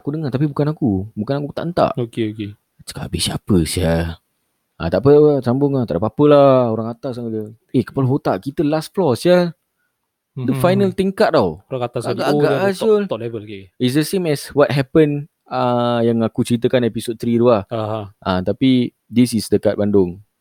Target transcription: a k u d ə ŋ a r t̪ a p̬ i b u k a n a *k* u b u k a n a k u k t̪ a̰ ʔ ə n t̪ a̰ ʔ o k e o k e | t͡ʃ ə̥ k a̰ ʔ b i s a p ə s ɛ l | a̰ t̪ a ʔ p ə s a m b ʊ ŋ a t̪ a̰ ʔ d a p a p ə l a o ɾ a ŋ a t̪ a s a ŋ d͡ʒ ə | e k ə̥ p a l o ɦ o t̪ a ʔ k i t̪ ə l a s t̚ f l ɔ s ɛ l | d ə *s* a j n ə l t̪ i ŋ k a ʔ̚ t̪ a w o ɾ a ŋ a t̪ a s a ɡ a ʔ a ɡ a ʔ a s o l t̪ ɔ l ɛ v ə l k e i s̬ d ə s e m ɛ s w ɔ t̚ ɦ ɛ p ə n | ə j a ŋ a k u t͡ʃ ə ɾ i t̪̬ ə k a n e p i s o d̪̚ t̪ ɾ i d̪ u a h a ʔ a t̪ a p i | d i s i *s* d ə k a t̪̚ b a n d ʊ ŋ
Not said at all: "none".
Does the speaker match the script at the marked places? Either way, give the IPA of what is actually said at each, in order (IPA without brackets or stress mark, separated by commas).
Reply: k, f, s